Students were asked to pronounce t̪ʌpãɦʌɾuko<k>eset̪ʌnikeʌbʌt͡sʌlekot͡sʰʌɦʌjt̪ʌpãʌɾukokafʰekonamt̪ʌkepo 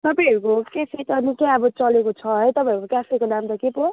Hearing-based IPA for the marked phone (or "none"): k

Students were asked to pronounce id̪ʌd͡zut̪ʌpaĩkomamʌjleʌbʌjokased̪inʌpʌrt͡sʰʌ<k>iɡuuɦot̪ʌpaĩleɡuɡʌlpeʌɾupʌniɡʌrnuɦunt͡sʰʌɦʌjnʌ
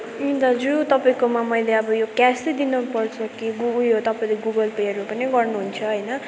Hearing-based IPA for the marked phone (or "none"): k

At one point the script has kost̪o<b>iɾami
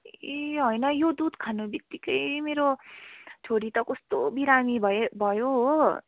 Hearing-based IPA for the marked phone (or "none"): b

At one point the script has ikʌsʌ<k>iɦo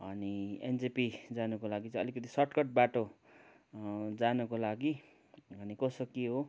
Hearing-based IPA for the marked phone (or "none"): k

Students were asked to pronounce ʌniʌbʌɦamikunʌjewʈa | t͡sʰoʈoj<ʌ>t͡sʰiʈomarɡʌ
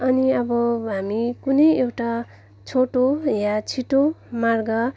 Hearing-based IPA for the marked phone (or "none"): a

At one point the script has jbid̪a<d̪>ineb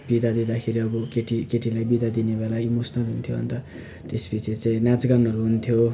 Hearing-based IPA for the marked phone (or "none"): d̪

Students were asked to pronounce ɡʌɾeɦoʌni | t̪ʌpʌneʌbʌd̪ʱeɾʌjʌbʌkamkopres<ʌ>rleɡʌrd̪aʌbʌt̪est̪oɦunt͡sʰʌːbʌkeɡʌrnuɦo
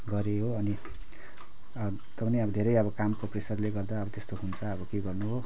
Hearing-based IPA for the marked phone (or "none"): ʌ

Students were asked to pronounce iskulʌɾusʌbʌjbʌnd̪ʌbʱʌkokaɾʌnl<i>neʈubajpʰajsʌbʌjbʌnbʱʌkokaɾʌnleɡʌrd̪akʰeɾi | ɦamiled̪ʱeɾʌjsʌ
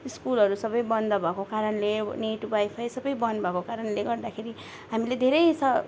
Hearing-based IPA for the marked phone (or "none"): e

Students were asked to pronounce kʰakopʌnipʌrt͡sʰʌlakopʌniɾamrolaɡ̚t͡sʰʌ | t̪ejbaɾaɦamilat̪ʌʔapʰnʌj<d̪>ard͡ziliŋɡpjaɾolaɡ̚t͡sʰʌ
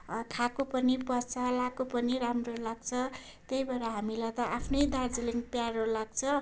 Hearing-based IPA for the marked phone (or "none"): d̪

